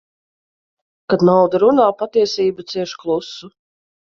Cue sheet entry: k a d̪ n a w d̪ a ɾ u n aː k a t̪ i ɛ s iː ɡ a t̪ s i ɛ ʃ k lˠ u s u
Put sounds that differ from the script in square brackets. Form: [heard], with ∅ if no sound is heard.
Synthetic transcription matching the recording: k a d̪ n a w d̪ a ɾ u n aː [p] a t̪ i ɛ s iː [b] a t̪ s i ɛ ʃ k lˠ u s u